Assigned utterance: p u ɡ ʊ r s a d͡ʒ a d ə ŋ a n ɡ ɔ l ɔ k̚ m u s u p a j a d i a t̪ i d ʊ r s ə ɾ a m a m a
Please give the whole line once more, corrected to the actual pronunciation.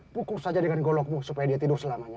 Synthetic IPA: p u k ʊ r s a d͡ʒ a d ə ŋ a n ɡ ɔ l ɔ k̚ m u s u p a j a d i a t̪ i d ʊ r s ə l a m a ɲ a